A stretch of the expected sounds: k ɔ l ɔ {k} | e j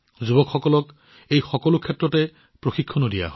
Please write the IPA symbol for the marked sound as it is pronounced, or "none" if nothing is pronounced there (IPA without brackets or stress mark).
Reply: k